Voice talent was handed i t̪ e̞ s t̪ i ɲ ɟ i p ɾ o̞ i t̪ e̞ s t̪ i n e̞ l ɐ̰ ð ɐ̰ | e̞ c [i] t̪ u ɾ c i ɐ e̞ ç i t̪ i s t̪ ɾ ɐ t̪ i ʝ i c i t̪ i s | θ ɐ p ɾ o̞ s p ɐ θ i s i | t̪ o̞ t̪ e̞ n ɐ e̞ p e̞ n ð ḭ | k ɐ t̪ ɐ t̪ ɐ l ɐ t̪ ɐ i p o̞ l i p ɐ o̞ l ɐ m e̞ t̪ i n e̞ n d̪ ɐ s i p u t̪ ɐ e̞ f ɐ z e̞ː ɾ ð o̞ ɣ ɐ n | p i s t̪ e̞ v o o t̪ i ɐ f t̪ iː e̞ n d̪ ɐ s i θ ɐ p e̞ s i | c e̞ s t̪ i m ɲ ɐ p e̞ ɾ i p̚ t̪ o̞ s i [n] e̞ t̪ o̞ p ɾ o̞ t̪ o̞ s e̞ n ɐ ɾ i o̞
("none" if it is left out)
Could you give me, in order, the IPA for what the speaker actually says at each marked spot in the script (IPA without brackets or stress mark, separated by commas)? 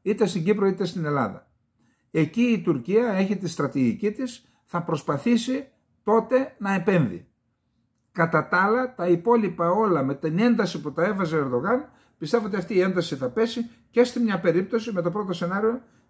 iː, m